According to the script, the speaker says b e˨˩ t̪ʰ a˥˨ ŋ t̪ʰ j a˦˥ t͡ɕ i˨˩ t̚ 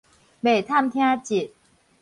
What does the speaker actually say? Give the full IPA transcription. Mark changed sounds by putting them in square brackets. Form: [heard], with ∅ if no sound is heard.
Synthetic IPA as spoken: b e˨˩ t̪ʰ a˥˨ [m] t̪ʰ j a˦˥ t͡ɕ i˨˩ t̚